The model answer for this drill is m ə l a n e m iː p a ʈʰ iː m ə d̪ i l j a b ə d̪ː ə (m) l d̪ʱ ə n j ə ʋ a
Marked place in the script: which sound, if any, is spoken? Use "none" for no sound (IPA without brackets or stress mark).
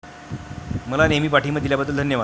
none